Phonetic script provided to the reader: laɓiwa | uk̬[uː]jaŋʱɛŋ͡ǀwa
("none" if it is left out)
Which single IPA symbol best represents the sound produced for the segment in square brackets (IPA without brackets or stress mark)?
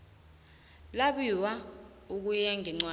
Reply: u